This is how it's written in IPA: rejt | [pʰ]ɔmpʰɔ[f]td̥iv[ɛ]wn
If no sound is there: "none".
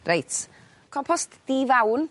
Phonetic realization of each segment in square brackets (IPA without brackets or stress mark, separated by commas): kʰ, s, a